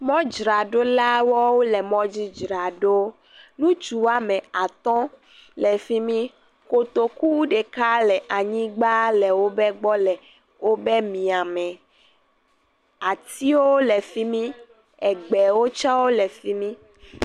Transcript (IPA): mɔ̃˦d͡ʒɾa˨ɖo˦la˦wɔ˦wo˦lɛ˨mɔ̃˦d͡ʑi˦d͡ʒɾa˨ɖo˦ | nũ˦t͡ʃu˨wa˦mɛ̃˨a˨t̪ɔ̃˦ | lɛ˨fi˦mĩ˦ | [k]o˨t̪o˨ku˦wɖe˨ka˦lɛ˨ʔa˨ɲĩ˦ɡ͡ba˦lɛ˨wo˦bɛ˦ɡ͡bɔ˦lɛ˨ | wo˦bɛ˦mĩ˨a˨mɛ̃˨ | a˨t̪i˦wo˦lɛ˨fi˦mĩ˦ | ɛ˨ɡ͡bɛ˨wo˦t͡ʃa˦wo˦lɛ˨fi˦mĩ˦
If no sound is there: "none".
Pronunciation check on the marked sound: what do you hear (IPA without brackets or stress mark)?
k